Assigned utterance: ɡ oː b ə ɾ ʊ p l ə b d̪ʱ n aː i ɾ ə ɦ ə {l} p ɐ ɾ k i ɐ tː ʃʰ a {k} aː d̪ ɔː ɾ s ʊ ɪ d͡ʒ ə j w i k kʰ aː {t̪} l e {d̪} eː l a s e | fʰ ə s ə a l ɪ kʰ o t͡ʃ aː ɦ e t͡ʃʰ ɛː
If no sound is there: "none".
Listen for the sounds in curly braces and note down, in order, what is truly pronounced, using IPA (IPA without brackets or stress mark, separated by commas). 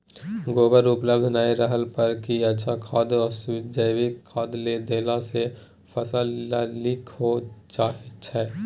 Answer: l, kʰ, d̪, d̪